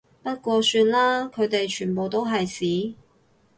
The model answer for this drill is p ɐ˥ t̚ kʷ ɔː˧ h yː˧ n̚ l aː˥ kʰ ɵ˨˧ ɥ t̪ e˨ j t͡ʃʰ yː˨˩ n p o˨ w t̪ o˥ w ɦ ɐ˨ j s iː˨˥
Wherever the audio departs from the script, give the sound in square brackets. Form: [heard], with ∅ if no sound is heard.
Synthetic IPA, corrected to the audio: p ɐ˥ t̚ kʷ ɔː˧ [s] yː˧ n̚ l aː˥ kʰ ɵ˨˧ ɥ t̪ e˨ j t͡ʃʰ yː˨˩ n p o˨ w t̪ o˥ w ɦ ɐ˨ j s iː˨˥